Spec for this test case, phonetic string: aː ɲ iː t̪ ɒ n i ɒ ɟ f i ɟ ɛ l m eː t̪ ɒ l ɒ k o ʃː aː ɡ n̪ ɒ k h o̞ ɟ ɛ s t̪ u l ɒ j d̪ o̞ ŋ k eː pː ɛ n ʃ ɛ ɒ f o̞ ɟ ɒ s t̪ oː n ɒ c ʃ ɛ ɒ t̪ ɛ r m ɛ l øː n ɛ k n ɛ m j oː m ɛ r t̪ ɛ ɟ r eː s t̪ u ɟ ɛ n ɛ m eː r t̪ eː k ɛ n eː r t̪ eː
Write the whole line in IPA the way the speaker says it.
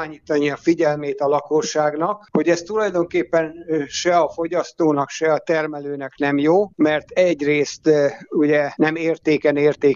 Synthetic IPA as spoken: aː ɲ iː t̪ ɒ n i ɒ f i ɟ ɛ l m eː t̪ ɒ l ɒ k o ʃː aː ɡ n̪ ɒ k h o̞ ɟ ɛ s t̪ u l ɒ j d̪ o̞ ŋ k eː pː ɛ n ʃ ɛ ɒ f o̞ ɟ ɒ s t̪ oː n ɒ k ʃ ɛ ɒ t̪ ɛ r m ɛ l øː n ɛ k n ɛ m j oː m ɛ r t̪ ɛ ɟ r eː s t̪ u ɟ ɛ n ɛ m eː r t̪ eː k ɛ n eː r t̪ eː